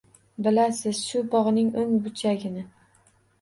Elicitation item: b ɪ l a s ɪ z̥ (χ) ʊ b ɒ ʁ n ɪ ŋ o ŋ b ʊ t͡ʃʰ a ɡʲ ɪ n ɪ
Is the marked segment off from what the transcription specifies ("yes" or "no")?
yes